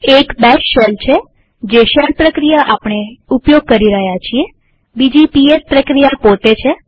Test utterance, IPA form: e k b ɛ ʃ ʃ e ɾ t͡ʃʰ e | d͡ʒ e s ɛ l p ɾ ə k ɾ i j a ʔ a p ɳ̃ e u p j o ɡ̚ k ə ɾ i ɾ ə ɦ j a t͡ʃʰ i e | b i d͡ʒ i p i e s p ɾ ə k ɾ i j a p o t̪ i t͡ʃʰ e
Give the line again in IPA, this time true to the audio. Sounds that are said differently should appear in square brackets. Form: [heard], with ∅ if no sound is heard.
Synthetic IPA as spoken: e k b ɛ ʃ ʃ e [l] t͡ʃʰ e | d͡ʒ e [ʃ] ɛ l p ɾ ə k ɾ i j a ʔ a p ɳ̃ e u p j o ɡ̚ k ə ɾ i ɾ ə ɦ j a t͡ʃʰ i e | b i d͡ʒ i p i e s p ɾ ə k ɾ i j a p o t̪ [e] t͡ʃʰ e